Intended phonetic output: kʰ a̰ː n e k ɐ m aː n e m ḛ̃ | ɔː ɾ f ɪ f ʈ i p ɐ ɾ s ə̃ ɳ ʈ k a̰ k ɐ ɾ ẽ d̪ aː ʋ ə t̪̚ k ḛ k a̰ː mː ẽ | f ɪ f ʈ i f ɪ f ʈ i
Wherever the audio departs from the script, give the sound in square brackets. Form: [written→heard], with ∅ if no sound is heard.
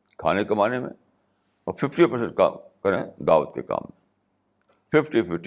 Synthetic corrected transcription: kʰ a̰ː n e k ɐ m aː n e m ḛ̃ | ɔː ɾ f ɪ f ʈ i p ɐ ɾ s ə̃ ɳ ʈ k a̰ k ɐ ɾ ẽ d̪ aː ʋ ə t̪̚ k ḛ k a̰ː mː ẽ | f ɪ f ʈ i f ɪ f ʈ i